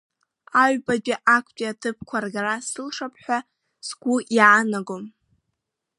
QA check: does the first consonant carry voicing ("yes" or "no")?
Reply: yes